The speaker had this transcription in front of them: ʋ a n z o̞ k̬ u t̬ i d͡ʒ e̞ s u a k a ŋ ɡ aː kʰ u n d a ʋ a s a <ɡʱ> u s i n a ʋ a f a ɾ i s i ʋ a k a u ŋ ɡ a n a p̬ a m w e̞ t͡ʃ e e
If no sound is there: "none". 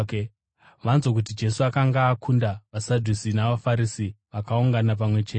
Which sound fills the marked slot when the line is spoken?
dʱ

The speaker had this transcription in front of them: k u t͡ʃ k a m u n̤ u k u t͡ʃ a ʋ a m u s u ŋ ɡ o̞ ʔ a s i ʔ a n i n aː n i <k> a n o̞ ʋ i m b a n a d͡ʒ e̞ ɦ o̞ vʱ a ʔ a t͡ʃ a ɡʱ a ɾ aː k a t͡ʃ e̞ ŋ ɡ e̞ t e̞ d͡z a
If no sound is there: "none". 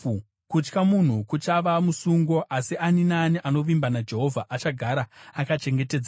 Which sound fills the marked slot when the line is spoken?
ʔ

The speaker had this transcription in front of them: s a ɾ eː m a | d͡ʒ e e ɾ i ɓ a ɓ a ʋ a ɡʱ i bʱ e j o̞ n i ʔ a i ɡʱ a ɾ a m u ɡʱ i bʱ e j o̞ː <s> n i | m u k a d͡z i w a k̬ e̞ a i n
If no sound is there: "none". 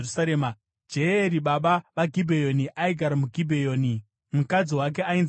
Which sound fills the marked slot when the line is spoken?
none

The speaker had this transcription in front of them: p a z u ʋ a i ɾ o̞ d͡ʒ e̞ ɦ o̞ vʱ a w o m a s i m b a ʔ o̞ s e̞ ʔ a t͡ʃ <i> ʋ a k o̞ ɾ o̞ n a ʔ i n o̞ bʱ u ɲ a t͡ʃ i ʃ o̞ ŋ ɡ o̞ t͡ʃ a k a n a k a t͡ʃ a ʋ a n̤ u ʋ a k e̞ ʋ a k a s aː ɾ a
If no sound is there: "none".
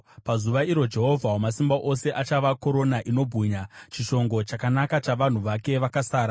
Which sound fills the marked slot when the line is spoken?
a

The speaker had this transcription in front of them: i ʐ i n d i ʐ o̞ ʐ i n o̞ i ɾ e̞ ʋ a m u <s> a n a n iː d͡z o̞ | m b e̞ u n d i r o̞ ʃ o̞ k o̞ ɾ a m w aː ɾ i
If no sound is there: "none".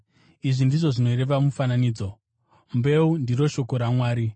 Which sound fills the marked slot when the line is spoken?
f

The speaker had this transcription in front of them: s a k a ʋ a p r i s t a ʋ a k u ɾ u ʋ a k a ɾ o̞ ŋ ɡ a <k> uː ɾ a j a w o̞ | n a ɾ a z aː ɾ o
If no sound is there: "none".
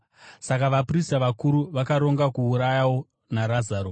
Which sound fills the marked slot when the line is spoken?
k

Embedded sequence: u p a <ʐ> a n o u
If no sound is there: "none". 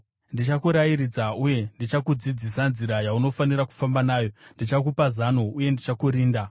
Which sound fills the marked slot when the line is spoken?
z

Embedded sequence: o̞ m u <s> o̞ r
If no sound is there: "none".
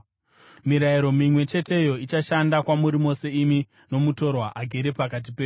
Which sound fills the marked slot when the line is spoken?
t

